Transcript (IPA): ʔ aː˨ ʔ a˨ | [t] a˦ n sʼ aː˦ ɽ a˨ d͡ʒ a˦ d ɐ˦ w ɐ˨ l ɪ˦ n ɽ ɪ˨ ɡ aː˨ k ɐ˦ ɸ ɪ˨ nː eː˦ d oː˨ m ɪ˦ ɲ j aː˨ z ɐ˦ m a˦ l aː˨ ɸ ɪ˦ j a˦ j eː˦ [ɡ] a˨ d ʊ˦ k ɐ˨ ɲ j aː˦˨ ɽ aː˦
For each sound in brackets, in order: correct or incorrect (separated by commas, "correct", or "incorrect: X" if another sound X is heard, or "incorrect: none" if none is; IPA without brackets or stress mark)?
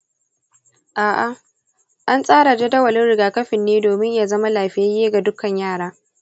incorrect: ʔ, correct